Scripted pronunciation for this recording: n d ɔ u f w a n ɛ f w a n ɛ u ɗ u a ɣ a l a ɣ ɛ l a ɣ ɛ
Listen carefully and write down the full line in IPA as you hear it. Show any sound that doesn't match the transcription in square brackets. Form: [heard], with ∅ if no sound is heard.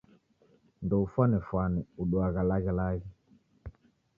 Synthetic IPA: n d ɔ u f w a n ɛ f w a n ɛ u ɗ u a ɣ a l a ɣ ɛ l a ɣ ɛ